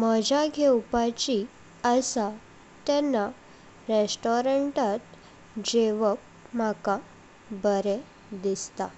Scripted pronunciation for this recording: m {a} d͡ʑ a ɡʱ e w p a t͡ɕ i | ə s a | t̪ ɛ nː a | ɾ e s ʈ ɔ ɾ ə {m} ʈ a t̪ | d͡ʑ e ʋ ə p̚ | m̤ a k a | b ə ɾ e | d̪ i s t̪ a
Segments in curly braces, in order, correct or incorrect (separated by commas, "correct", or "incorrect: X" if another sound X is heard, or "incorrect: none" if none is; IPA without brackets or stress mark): incorrect: ə, incorrect: ɳ